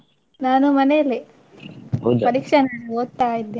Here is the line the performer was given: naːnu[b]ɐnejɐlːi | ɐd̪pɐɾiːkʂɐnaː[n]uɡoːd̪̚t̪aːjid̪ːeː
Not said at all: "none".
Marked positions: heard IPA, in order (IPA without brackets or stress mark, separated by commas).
m, n